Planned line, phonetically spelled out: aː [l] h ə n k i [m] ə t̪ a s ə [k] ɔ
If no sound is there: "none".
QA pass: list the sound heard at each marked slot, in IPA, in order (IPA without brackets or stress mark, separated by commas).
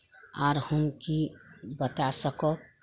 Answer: ɾ, b, k